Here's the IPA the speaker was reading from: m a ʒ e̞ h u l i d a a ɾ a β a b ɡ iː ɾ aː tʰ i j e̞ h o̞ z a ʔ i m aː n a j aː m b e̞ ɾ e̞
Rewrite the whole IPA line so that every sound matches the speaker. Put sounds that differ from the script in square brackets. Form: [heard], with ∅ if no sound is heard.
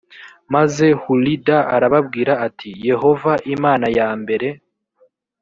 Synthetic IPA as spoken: m a [z] e̞ h u l i d a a ɾ a β a b ɡ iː ɾ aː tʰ i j e̞ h o̞ [v] a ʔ i m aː n a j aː m b e̞ ɾ e̞